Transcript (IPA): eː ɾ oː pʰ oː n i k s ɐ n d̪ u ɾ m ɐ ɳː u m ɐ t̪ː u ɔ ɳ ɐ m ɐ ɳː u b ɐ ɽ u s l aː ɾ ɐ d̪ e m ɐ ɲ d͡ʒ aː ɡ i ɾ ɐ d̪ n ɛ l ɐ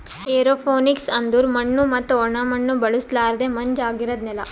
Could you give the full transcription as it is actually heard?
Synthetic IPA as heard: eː ɾ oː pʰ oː n i k s ɐ n d̪ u ɾ m ɐ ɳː u m ɐ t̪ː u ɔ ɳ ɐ m ɐ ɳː u b ɐ ɭ u s l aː ɾ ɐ d̪ e m ɐ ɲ d͡ʒ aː ɡ i ɾ ɐ d̪ n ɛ l ɐ